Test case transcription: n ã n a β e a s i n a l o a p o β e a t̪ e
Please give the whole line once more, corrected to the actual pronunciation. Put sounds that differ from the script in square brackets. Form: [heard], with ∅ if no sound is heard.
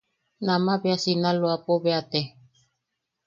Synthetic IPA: n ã [m] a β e a s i n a l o a p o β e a t̪ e

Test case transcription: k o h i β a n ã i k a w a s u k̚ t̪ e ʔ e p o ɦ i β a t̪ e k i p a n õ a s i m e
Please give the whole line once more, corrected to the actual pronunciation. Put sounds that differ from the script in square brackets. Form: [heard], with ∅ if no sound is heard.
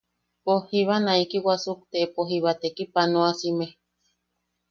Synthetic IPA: [p] o h i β a n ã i k [i] w a s u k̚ t̪ e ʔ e p o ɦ i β a t̪ e k i p a n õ a s i m e

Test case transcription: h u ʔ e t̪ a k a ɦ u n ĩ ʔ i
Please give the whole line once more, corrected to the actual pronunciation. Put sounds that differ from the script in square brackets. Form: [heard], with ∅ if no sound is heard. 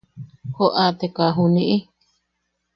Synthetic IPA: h [o] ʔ [a] t̪ [e] k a ɦ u n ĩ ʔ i

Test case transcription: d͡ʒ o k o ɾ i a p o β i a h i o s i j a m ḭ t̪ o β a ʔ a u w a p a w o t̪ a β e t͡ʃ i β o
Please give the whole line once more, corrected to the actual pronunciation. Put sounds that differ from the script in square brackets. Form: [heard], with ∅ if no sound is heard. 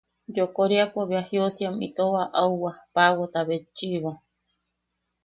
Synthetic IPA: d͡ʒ o k o ɾ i a p o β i a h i o s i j a m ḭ t̪ o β a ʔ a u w a p a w o t̪ a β e t͡ʃ i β o

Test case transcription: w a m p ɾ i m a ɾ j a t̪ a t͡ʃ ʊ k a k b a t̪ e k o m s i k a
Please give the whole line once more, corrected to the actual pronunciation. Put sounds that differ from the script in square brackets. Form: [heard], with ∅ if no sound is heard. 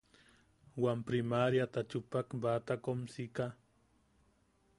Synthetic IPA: w a m p ɾ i m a ɾ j a t̪ a t͡ʃ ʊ [p] a k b a t̪ [a] k o m s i k a

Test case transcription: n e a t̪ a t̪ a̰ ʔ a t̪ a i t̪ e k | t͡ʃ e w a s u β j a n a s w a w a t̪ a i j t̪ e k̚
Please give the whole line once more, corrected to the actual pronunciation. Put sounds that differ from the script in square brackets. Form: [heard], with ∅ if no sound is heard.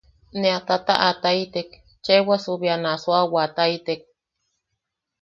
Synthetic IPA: n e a t̪ a t̪ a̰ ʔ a t̪ a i t̪ e k | t͡ʃ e w a s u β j a n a s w a w a t̪ a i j t̪ e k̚

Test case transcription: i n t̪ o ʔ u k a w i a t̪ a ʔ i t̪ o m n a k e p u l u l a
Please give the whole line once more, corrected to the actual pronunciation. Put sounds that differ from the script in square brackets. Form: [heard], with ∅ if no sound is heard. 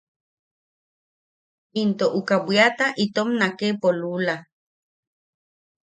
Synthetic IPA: i n t̪ o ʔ u k a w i a t̪ a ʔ i t̪ o m n a k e p [o] l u l a

